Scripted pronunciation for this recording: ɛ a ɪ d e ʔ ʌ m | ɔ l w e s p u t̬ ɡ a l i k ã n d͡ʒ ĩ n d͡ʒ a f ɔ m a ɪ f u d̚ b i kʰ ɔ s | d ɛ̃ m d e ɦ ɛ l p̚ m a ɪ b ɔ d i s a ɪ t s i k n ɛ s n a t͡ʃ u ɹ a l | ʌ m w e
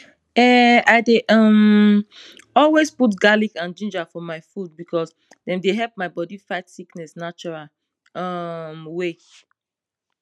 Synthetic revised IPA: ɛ a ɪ d e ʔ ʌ m | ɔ l w e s p u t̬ ɡ a l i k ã n d͡ʒ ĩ n d͡ʒ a f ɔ m a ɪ f u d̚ b i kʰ ɔ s | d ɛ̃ m d e ɦ ɛ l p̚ m a ɪ b ɔ d i f a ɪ t s i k n ɛ s n a t͡ʃ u ɹ a l | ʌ m w e